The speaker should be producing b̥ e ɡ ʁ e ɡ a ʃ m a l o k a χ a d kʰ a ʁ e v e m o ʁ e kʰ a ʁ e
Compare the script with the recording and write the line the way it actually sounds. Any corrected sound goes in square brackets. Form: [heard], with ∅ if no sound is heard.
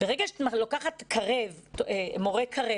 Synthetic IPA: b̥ e [∅] ʁ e ɡ a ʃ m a l o k a χ a [t] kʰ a ʁ e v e m o ʁ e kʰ a ʁ e